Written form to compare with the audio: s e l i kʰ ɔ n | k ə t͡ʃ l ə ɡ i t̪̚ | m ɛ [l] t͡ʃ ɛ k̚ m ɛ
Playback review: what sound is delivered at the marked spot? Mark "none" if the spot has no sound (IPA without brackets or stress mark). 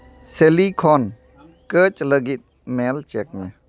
l